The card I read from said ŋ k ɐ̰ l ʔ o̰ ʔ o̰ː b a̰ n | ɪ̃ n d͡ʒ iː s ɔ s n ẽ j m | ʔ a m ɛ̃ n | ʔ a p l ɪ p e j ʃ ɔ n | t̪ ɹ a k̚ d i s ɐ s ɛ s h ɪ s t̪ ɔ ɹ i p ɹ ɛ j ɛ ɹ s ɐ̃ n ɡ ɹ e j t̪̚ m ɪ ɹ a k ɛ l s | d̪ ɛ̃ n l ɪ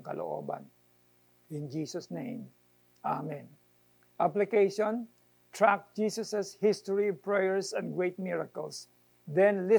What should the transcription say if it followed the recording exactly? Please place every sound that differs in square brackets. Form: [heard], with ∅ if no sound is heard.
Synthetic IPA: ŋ k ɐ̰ l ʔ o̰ ʔ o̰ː b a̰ n | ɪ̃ n d͡ʒ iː s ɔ s n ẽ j m | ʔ a m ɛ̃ n | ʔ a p l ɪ [k] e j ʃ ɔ n | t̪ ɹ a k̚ [d͡ʒ] i s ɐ s ɛ s h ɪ s t̪ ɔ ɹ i p ɹ ɛ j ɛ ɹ s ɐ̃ n ɡ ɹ e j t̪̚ m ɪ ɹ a k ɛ l s | d̪ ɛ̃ n l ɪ